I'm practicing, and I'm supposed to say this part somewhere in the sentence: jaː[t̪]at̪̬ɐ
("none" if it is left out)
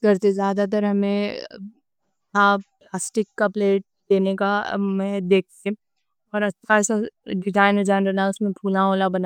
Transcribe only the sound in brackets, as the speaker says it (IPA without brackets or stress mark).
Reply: d̪